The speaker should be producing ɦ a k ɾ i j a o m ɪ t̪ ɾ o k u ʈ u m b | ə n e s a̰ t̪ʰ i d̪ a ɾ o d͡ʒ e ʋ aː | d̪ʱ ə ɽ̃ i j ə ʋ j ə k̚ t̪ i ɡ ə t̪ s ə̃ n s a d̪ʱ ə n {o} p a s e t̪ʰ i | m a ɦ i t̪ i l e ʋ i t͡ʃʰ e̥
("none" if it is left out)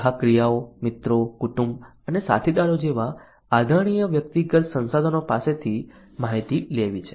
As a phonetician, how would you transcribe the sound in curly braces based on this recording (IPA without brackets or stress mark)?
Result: o